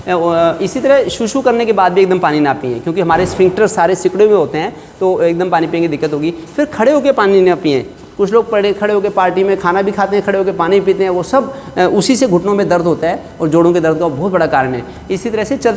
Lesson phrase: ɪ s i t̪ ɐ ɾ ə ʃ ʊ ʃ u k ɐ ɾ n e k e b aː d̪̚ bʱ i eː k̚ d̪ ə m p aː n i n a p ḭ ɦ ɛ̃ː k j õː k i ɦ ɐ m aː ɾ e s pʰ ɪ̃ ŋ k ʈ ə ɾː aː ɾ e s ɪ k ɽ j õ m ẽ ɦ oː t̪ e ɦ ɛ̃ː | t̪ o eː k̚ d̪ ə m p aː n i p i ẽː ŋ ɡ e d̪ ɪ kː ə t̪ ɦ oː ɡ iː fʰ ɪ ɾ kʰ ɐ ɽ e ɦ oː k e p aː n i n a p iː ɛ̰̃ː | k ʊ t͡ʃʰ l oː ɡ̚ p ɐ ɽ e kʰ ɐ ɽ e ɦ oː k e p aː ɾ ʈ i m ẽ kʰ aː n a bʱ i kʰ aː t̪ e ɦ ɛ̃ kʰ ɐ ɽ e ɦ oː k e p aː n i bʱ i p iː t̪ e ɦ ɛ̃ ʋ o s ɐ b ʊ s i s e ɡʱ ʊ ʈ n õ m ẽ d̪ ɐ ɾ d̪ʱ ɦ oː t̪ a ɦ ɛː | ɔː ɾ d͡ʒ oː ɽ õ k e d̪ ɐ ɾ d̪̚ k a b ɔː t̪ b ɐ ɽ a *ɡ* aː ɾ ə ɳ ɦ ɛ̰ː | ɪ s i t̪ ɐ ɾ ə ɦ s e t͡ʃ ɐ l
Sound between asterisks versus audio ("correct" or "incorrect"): incorrect